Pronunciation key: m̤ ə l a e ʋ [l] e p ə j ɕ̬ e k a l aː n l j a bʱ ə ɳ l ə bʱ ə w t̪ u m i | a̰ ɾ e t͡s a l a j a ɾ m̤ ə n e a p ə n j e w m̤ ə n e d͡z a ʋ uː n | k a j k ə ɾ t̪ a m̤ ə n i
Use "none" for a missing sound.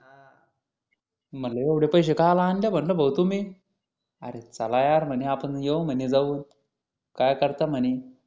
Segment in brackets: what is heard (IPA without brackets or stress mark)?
ɽ